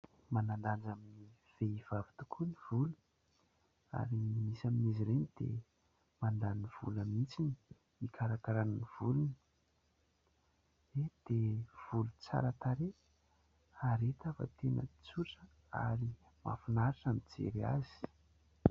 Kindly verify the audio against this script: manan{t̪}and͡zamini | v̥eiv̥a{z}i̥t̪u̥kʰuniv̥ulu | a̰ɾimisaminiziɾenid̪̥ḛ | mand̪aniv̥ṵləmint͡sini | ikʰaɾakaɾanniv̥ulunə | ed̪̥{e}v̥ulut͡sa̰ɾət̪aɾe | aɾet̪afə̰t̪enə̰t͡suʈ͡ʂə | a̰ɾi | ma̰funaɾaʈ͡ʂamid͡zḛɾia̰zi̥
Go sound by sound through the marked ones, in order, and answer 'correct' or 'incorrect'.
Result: incorrect: d̪, incorrect: v, correct

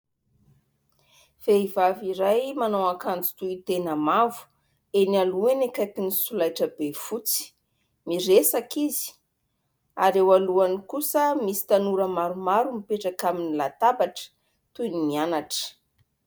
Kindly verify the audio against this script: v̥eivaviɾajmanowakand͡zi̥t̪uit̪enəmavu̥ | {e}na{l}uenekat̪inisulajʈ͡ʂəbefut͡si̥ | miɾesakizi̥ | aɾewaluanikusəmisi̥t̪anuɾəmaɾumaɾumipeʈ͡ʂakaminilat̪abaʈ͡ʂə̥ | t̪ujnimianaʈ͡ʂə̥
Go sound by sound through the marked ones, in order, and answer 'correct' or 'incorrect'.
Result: correct, correct

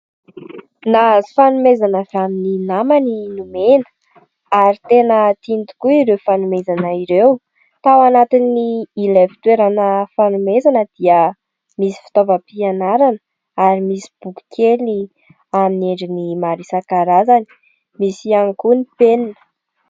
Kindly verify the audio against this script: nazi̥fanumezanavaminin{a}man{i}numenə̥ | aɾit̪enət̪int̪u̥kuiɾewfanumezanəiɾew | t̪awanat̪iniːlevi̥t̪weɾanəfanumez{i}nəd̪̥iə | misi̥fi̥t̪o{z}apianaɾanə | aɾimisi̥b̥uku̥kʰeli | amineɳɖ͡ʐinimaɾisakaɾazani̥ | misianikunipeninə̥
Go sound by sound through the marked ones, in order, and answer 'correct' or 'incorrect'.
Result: correct, correct, incorrect: a, incorrect: v

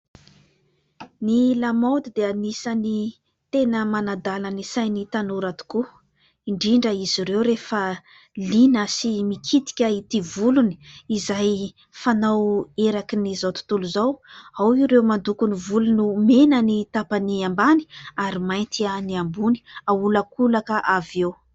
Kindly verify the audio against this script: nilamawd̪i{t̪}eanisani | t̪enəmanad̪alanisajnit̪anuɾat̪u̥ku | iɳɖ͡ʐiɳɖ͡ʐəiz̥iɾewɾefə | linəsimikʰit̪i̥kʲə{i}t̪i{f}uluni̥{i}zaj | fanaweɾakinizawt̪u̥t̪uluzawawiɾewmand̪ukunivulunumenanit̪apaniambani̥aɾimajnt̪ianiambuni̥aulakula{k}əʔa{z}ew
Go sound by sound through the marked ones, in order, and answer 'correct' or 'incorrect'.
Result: incorrect: d̪, correct, incorrect: v, correct, correct, incorrect: v

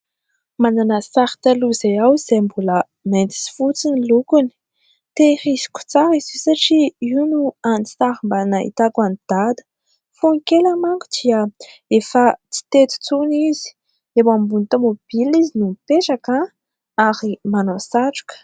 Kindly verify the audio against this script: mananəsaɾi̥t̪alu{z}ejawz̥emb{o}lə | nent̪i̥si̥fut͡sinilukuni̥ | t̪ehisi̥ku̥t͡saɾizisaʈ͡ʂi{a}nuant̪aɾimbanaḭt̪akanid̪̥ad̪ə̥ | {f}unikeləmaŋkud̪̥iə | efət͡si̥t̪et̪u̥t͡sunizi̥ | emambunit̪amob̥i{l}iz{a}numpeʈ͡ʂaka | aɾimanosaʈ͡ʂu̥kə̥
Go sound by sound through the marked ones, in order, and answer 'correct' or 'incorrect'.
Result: correct, incorrect: u, incorrect: i, correct, correct, incorrect: i

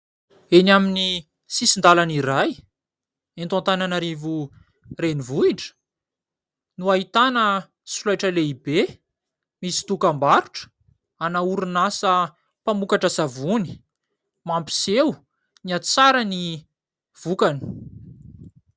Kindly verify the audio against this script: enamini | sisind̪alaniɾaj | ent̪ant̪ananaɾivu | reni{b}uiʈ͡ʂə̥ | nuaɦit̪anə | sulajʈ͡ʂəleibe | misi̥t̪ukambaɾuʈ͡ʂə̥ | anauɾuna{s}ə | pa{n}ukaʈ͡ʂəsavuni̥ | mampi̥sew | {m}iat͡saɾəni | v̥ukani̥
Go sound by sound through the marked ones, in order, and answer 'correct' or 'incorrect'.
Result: incorrect: v, correct, incorrect: m, incorrect: n

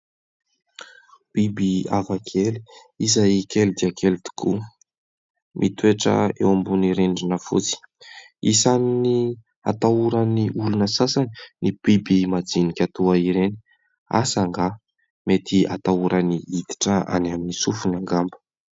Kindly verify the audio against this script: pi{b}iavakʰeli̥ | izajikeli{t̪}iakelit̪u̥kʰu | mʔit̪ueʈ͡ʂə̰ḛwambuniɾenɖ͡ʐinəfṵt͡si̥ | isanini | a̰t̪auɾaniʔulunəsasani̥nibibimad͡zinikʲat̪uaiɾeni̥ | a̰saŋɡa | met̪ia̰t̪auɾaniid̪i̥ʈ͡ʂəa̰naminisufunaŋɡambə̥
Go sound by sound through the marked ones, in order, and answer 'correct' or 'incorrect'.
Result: correct, incorrect: d̪

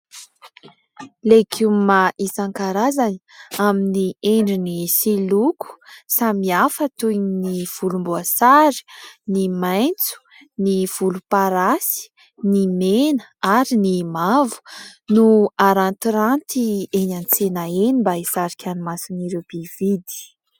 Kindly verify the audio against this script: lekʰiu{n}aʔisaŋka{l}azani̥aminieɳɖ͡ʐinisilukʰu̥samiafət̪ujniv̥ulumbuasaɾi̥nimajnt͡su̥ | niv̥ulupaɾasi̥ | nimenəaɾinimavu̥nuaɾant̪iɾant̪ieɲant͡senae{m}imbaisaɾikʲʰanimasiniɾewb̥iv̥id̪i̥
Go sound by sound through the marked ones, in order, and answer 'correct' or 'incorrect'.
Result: incorrect: m, incorrect: ɾ, incorrect: n

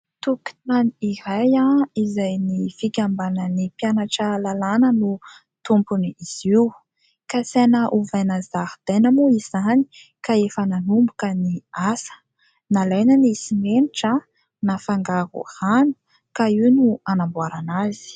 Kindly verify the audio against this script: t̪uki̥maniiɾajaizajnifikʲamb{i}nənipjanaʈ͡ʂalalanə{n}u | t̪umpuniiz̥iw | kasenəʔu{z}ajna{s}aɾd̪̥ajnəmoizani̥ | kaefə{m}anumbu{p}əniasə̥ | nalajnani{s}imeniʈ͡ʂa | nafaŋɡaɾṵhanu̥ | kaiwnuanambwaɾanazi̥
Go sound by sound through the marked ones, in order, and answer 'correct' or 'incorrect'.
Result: incorrect: a, correct, incorrect: v, incorrect: z, incorrect: n, incorrect: k, correct

